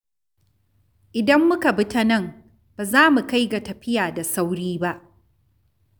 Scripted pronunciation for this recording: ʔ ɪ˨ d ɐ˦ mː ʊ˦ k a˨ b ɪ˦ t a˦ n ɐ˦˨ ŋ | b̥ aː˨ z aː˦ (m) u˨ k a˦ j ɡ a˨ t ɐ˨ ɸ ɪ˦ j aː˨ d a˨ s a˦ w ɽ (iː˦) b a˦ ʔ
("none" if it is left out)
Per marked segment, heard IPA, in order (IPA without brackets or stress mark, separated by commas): m, iː˦